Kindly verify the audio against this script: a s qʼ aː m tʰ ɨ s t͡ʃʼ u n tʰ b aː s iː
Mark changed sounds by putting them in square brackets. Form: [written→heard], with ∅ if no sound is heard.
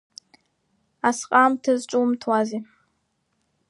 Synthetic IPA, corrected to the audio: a s qʼ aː m tʰ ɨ [s→z] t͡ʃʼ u [n→m] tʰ [b→w] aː [s→z] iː